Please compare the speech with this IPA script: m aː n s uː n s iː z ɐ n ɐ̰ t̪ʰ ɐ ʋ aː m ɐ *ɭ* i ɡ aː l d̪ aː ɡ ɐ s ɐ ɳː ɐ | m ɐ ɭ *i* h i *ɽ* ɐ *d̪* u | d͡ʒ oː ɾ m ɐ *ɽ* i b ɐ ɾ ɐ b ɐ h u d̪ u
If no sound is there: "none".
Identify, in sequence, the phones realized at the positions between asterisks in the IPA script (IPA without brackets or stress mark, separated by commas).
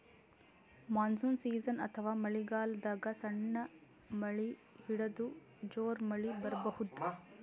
ɭ, i, ɽ, d̪, ɭ